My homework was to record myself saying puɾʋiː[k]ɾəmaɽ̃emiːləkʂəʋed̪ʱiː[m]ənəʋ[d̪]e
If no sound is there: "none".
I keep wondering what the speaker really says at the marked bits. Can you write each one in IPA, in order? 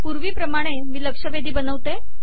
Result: p, b, t̪

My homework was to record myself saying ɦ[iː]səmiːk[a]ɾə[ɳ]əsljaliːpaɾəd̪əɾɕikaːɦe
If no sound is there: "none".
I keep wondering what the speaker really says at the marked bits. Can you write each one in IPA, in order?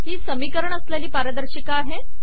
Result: iː, ə, ɳ

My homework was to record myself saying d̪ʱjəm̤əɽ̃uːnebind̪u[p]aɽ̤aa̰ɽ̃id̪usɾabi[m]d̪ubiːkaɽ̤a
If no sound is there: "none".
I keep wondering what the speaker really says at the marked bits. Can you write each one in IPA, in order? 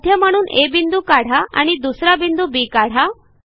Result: k, n

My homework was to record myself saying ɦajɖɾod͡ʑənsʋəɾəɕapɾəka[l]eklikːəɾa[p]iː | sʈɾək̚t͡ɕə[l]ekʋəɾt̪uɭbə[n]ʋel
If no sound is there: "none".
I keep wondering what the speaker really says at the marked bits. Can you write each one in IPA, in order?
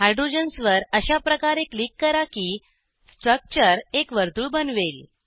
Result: ɾ, k, ɾ, n

